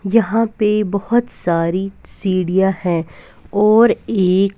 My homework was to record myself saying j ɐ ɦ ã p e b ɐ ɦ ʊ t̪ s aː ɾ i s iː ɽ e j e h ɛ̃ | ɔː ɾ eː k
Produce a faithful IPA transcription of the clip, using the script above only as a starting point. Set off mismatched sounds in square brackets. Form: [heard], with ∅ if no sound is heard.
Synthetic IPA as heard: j ɐ ɦ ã p e b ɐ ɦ ʊ t̪ s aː ɾ i s iː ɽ [i] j [a] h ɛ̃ | ɔː ɾ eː k